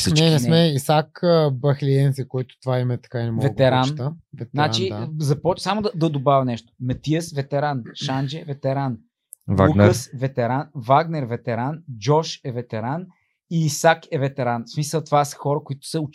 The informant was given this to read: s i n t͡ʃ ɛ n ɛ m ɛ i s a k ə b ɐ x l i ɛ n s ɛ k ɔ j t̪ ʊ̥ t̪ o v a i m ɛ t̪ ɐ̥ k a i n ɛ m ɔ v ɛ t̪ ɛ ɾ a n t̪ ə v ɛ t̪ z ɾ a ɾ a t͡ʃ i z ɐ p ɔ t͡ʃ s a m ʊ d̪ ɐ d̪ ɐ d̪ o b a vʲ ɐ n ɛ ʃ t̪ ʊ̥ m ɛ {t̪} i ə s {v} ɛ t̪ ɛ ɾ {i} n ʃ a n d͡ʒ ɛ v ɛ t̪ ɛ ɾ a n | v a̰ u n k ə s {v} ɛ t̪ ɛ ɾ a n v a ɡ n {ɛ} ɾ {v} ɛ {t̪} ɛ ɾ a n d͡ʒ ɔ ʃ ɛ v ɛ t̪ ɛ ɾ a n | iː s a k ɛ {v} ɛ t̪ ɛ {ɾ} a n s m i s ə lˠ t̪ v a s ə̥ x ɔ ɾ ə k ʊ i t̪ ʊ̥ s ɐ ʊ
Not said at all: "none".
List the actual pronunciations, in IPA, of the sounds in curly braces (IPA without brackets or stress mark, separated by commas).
t̪, v, a, v, ɛ, v, t̪, v, ɾ